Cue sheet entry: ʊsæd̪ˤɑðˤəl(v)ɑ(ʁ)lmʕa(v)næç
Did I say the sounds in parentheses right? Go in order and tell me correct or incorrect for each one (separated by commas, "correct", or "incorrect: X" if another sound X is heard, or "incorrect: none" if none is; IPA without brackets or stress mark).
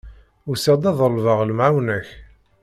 correct, correct, incorrect: w